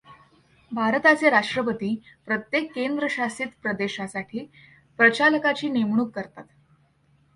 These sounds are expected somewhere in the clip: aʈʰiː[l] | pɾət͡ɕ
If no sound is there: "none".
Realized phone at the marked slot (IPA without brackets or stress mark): none